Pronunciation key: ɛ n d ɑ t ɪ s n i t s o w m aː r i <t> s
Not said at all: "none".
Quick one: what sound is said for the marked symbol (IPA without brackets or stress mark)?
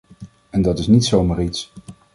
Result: t